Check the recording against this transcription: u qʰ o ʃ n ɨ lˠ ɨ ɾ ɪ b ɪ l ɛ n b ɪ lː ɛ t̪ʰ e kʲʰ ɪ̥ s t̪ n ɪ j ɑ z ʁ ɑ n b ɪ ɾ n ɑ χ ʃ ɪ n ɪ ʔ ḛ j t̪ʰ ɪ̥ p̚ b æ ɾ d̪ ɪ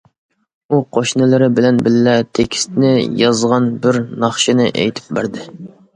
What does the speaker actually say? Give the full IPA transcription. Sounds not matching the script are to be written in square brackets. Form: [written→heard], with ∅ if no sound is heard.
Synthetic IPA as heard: u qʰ o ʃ n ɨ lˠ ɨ ɾ ɪ b ɪ l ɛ n b ɪ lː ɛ t̪ʰ e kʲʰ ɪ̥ s t̪ n ɪ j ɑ z ʁ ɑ n b ɪ ɾ n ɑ χ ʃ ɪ n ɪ ʔ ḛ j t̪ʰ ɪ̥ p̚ b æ ɾ d̪ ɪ